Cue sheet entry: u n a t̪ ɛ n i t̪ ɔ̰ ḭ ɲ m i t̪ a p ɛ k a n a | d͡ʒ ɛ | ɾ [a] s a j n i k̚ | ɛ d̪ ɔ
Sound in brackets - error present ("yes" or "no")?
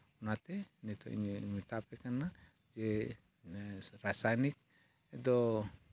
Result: no